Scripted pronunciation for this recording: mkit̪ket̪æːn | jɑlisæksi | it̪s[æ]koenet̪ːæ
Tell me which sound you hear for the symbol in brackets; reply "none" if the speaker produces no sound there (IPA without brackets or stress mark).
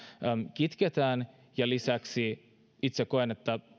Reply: e